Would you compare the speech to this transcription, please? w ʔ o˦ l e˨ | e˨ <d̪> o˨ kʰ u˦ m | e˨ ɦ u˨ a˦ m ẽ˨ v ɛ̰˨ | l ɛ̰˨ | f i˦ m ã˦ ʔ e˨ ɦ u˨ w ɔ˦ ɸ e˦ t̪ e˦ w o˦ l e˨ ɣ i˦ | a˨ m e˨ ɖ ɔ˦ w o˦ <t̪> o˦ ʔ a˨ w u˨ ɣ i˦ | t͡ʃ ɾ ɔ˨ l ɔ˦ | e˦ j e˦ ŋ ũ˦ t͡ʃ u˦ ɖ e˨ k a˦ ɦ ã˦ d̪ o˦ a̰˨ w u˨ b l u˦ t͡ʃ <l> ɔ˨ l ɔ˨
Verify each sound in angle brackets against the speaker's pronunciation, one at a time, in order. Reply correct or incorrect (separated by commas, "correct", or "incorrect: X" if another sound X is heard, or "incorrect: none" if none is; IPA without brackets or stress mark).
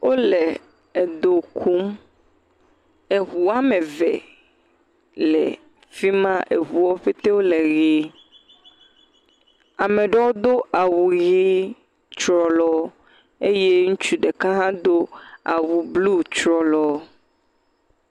correct, incorrect: d̪, incorrect: ɾ